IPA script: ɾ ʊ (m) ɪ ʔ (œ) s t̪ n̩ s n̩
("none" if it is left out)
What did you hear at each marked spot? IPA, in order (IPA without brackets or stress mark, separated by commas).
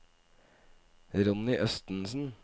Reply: n, œ